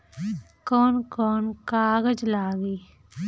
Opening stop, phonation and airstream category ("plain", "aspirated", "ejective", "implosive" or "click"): plain